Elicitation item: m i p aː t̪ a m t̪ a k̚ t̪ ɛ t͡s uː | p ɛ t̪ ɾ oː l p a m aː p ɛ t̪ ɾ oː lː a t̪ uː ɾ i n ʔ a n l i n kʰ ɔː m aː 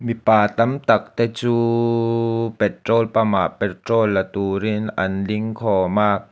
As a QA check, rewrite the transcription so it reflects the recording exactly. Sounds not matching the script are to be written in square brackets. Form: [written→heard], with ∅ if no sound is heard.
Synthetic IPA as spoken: m i p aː t̪ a m t̪ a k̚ t̪ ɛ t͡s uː | p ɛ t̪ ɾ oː l p a m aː p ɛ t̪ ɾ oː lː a t̪ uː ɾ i n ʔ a n l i [n→ŋ] kʰ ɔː m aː